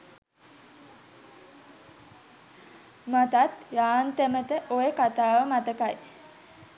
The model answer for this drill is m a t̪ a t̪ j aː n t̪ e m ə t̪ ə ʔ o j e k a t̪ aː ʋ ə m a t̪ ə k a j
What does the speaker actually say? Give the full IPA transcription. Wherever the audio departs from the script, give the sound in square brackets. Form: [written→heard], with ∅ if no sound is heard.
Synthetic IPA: m a t̪ a t̪ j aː n t̪ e m ə t̪ ə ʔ o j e k a t̪ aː ʋ ə m a t̪ ə k a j